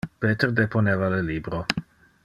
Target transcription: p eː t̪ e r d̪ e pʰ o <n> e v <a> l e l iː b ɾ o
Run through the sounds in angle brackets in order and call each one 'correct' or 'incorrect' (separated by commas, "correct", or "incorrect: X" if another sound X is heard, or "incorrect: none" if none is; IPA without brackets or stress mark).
correct, correct